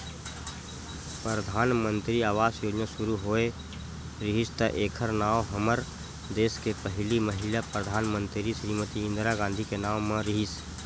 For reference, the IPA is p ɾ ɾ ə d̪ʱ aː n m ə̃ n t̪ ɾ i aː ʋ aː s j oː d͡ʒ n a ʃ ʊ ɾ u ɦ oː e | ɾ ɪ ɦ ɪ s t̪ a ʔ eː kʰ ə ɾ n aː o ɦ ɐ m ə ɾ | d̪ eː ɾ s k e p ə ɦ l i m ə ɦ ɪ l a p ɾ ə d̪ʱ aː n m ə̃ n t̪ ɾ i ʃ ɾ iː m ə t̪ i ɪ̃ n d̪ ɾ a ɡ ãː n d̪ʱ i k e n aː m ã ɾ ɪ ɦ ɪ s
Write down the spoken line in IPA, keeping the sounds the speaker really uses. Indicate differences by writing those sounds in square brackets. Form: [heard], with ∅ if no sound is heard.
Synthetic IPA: p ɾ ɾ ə d̪ʱ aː n m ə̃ n t̪ ɾ i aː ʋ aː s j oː d͡ʒ n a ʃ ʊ ɾ u ɦ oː e | ɾ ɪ ɦ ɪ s t̪ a ʔ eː kʰ ə ɾ n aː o ɦ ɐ m ə ɾ | d̪ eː [∅] s k e p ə ɦ l i m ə ɦ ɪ l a p ɾ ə d̪ʱ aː n m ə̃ n t̪ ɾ i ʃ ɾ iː m ə t̪ i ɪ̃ n d̪ ɾ a ɡ ãː n d̪ʱ i k e n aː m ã ɾ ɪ ɦ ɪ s

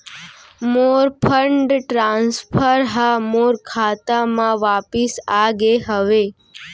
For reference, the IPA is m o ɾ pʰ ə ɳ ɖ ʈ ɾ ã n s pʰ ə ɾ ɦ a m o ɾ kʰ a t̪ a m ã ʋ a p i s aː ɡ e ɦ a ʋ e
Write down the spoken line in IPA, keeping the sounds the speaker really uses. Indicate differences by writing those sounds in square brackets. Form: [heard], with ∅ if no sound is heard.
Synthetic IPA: m o ɾ pʰ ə ɳ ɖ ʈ ɾ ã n s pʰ ə ɾ ɦ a m o ɾ kʰ a t̪ a m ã ʋ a p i s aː ɡ e ɦ [ə] ʋ e

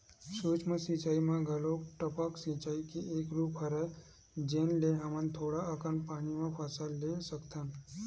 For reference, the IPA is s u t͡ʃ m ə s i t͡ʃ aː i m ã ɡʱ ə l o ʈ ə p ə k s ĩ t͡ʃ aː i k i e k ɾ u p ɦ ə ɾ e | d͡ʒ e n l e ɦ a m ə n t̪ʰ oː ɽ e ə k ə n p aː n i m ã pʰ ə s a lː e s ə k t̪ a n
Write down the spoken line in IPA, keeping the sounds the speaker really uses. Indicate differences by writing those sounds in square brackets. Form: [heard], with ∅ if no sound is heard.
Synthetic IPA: s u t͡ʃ m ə s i t͡ʃ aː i m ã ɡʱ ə l o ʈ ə p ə k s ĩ t͡ʃ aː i k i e k ɾ u p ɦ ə ɾ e | d͡ʒ e n l e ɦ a m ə n t̪ʰ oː ɽ [a] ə k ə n p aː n i m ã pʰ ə s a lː e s ə k t̪ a n

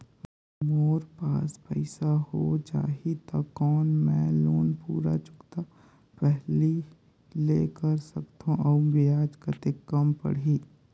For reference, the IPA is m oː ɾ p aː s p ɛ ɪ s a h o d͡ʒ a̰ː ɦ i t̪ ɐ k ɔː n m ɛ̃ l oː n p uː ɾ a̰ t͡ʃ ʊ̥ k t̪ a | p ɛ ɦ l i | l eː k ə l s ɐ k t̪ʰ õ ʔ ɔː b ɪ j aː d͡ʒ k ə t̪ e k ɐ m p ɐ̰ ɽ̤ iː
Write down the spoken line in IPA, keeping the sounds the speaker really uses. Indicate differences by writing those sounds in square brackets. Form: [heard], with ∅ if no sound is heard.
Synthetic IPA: m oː ɾ p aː s p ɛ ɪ s a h o d͡ʒ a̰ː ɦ i t̪ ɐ k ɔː n m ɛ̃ l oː n p uː ɾ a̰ t͡ʃ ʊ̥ k t̪ a | p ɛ ɦ l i | l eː k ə [ɾ] s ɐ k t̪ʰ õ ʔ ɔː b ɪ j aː d͡ʒ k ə t̪ e k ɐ m p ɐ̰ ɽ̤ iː

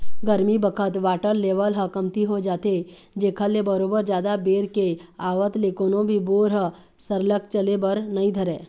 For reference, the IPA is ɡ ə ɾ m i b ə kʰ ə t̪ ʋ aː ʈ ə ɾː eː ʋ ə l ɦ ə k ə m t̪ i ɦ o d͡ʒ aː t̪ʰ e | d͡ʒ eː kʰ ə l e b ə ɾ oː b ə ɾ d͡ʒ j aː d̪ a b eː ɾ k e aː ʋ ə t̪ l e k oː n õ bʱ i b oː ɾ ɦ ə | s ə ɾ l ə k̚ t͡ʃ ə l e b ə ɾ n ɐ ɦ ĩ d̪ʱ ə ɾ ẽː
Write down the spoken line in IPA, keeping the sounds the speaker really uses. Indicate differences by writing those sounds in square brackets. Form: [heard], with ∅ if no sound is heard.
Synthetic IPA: ɡ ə ɾ m i b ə kʰ ə t̪ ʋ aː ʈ ə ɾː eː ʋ ə l ɦ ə k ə m t̪ i ɦ o d͡ʒ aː [t̪] e | d͡ʒ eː kʰ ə l e b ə ɾ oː b ə ɾ d͡ʒ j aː d̪ a b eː ɾ k e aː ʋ ə t̪ l e k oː n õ bʱ i b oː ɾ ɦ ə | s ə ɾ l ə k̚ t͡ʃ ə l e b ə ɾ n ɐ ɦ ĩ d̪ʱ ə ɾ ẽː

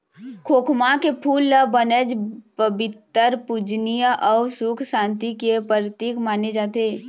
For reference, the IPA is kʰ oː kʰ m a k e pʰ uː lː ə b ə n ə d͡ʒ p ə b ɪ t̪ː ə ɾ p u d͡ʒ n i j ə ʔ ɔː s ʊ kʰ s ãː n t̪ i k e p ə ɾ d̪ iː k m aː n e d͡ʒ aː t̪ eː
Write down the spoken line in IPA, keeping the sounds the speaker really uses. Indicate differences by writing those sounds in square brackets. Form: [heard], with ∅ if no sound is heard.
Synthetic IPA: kʰ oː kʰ m a k e pʰ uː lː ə b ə n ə d͡ʒ p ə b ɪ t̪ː ə ɾ p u d͡ʒ n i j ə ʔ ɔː s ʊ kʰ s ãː n t̪ i k e p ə ɾ [t̪] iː k m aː n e d͡ʒ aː t̪ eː

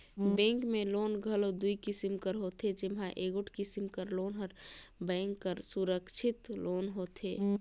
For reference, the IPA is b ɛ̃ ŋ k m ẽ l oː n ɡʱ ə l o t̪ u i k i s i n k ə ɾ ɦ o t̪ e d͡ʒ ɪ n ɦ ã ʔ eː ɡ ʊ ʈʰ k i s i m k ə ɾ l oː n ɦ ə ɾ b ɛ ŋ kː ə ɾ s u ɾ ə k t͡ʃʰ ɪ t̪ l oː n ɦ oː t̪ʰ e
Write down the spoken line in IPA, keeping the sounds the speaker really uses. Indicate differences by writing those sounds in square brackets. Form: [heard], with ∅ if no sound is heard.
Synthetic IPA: b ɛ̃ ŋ k m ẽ l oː n ɡʱ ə l o [d̪] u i k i s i [m] k ə ɾ ɦ o t̪ e d͡ʒ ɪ [m] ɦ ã ʔ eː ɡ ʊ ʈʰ k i s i m k ə ɾ l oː n ɦ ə ɾ b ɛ ŋ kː ə ɾ s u ɾ ə k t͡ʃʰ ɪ t̪ l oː n ɦ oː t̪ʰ e

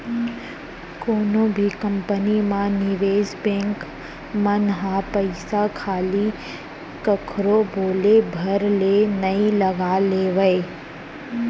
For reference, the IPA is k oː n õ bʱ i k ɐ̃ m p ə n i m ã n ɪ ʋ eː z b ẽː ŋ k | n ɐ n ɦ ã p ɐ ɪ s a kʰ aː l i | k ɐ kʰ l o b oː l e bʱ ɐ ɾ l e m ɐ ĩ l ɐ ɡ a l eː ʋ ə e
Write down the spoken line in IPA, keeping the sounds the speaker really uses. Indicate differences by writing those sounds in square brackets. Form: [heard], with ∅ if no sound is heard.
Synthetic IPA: k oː n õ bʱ i k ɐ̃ m p ə n i m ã n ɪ ʋ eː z b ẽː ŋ k | [m] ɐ n ɦ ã p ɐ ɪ s a kʰ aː l i | k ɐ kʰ [ɾ] o b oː l e bʱ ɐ ɾ l e [n] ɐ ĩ l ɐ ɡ a l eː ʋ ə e

